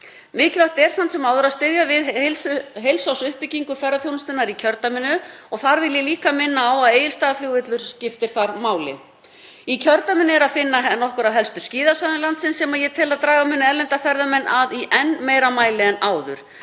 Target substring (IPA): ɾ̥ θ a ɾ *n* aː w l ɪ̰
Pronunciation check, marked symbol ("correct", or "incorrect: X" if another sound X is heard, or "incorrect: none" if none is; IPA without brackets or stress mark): incorrect: m